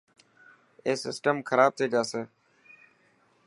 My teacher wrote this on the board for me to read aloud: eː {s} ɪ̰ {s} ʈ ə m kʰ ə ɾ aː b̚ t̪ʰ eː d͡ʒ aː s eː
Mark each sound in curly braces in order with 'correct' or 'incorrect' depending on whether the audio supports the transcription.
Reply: correct, correct

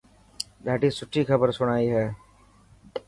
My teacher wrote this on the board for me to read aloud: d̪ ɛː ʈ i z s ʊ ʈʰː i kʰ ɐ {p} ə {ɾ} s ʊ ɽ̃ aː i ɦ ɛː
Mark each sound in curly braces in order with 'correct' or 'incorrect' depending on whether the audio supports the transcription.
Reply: incorrect: b, correct

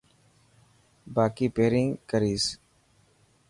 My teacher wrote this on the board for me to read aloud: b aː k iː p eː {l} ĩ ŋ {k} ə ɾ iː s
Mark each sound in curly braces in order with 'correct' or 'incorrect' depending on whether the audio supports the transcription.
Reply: incorrect: ɾ, correct

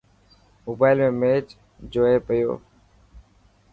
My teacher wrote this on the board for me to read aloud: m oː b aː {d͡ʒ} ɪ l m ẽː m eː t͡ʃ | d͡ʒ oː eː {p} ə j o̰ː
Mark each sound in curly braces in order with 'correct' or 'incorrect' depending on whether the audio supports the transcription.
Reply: incorrect: none, correct

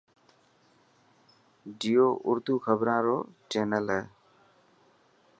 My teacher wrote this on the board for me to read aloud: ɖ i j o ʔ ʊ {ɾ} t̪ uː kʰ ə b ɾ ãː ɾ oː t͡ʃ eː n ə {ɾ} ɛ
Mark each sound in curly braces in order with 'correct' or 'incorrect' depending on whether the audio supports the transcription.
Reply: correct, incorrect: l

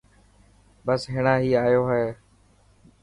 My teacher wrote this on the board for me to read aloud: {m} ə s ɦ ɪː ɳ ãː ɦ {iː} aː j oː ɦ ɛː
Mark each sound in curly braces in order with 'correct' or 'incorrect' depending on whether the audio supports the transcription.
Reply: incorrect: b, correct

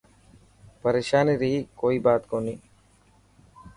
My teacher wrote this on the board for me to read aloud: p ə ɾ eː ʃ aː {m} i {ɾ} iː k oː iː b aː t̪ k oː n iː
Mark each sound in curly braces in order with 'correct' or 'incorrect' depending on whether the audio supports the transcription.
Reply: incorrect: n, correct

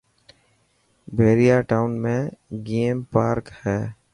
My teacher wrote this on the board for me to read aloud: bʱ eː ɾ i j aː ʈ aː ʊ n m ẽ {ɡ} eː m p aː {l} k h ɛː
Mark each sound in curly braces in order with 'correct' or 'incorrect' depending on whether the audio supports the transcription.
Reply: correct, incorrect: ɾ

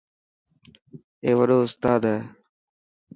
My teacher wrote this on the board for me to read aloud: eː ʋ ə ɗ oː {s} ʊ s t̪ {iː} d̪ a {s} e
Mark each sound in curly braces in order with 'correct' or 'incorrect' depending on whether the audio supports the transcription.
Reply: incorrect: none, incorrect: aː, incorrect: none

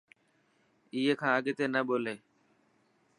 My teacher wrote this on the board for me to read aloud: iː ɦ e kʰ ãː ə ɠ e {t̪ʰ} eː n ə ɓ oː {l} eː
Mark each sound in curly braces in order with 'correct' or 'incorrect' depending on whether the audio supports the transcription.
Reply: incorrect: t̪, correct

